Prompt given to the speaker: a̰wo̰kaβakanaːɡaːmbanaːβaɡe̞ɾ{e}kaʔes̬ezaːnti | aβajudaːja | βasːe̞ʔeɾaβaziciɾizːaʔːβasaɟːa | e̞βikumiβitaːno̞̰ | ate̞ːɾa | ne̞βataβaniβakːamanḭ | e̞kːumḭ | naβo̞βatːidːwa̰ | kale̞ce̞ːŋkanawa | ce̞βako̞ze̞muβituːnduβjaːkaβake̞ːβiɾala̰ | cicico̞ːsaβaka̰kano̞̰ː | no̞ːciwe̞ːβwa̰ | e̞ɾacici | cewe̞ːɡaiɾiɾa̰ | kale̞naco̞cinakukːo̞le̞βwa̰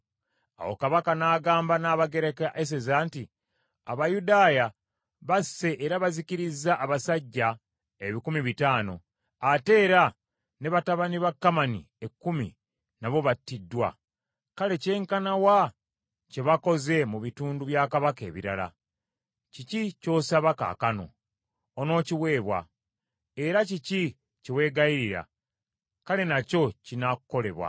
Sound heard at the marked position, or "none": e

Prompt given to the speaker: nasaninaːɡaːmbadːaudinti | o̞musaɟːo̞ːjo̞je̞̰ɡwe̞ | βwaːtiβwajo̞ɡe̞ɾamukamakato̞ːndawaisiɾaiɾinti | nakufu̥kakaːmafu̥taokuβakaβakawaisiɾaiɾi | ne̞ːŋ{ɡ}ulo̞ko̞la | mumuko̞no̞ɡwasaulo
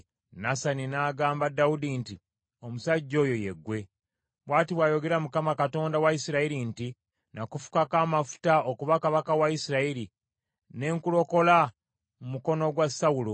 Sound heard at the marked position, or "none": k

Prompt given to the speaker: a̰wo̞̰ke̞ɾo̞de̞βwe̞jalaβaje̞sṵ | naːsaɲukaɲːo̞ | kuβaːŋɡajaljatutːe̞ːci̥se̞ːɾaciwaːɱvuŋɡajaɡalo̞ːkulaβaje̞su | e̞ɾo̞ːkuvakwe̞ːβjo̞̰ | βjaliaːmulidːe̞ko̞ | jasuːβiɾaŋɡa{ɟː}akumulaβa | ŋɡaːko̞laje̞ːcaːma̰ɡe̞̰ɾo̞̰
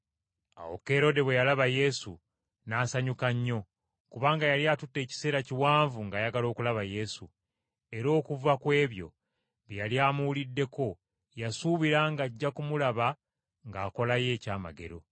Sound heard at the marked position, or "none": ɟː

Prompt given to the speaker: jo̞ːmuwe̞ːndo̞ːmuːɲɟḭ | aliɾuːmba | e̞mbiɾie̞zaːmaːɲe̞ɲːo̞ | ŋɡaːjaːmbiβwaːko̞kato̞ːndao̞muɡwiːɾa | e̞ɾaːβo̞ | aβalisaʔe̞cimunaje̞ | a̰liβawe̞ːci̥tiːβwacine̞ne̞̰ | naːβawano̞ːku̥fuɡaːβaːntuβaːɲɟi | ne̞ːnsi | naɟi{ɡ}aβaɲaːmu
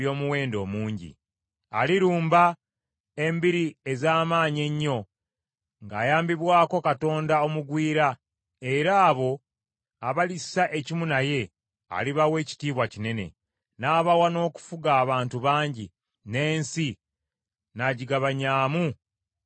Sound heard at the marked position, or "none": ɡ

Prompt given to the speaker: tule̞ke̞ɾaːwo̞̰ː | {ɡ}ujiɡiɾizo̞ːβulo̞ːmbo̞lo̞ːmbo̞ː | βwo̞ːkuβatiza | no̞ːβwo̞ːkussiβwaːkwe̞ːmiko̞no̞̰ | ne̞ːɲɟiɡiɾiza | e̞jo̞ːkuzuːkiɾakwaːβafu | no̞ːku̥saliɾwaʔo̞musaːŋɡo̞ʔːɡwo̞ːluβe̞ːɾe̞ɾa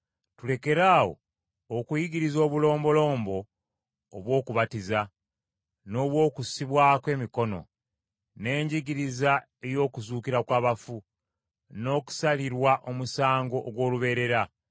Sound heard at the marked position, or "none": k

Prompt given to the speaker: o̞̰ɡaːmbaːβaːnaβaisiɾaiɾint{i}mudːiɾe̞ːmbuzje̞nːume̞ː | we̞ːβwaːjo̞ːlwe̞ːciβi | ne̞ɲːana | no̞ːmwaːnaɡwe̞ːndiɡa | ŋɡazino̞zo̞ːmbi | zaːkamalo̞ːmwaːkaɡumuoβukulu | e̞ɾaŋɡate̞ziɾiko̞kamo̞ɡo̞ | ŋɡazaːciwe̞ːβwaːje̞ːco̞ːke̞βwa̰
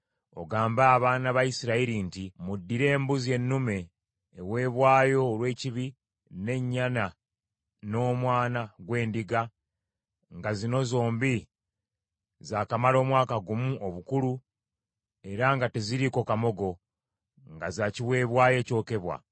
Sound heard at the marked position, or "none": i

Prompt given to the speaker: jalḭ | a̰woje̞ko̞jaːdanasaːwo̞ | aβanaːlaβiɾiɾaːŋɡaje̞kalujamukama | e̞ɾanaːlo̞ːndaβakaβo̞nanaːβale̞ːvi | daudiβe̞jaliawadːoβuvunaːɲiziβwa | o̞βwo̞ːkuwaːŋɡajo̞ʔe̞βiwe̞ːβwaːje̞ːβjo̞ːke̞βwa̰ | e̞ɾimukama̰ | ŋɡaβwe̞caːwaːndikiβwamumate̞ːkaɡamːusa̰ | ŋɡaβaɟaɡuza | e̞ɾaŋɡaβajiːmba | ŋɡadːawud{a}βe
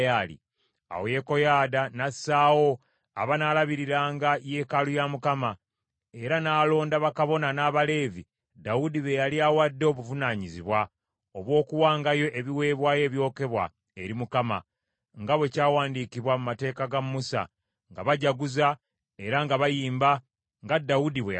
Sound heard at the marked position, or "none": i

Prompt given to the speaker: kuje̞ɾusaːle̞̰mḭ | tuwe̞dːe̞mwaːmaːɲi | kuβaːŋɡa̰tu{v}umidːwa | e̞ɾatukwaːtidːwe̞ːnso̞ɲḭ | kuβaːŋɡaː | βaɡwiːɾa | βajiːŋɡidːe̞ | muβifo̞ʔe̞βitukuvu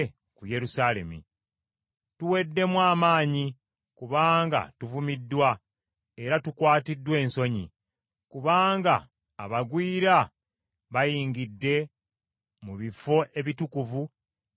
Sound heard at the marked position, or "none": v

